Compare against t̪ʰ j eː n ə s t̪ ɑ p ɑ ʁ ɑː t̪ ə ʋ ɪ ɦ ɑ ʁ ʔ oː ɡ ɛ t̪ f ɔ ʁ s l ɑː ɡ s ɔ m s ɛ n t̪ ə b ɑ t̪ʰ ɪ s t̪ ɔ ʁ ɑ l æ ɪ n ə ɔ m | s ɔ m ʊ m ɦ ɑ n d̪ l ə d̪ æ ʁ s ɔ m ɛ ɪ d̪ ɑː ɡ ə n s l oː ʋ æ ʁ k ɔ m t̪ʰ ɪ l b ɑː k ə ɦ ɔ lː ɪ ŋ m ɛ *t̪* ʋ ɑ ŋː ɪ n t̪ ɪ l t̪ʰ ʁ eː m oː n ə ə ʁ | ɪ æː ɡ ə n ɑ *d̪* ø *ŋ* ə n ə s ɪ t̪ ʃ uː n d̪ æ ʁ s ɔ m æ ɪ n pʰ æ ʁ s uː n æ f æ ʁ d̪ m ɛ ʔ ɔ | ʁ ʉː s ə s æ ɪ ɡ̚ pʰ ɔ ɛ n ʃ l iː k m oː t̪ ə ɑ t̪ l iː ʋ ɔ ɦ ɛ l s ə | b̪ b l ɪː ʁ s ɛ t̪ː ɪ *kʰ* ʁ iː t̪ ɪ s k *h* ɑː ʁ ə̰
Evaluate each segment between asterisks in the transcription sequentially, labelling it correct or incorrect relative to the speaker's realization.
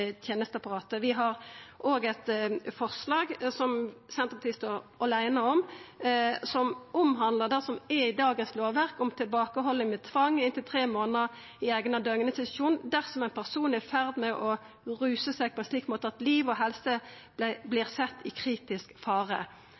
incorrect: t̪ʰ, correct, correct, correct, incorrect: f

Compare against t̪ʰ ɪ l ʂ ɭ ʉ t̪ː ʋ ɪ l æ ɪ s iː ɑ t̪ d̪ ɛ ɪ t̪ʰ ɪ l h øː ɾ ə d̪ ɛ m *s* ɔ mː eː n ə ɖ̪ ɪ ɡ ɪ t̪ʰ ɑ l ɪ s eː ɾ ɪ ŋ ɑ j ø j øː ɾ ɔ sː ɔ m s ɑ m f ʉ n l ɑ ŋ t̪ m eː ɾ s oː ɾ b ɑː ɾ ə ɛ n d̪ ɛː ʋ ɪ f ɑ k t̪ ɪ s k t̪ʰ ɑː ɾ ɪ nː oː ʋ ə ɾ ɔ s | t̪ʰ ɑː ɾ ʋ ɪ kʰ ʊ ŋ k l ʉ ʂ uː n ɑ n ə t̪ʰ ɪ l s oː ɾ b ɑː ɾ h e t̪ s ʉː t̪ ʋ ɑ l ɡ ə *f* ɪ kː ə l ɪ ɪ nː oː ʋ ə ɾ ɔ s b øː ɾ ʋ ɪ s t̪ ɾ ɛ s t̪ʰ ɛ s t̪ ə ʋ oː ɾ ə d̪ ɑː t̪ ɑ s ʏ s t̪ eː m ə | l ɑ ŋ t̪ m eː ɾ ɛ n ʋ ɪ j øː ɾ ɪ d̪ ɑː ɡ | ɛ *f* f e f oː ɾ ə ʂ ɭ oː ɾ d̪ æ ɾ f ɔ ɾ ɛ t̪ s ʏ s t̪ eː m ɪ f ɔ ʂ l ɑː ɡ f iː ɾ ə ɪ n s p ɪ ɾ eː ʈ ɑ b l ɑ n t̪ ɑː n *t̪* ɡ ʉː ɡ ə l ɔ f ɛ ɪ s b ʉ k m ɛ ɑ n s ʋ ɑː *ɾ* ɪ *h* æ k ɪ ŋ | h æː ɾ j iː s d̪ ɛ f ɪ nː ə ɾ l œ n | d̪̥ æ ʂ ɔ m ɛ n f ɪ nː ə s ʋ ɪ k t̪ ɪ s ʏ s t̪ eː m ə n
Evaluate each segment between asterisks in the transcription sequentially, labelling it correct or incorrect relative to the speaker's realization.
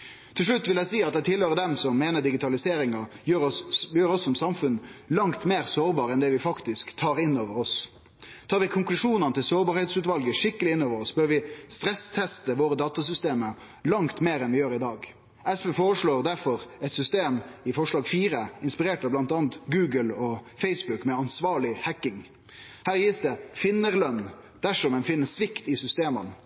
correct, incorrect: ʂ, incorrect: s, correct, incorrect: ɭ, correct

